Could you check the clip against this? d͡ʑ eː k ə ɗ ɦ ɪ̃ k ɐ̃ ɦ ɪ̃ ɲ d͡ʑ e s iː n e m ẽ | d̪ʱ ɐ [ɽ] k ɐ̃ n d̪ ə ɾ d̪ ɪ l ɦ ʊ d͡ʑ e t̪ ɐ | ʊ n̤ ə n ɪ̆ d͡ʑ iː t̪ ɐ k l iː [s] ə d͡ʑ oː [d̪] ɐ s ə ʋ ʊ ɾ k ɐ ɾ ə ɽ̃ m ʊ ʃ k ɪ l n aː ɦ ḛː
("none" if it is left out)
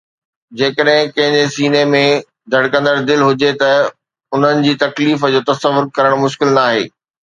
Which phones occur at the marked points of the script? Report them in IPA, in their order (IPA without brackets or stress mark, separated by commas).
ɽ, f, t̪